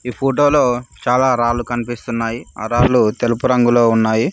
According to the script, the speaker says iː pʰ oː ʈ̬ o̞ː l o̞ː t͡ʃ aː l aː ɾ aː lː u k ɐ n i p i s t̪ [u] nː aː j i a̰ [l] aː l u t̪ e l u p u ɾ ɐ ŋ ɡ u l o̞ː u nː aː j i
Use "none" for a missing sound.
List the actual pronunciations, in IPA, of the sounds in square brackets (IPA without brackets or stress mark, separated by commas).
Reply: u, ɾ